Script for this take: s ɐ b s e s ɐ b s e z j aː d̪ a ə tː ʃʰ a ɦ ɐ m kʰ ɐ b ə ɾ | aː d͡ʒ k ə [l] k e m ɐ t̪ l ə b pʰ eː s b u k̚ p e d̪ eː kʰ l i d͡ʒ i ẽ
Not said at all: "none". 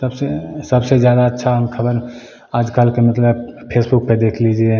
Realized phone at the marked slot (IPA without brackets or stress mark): l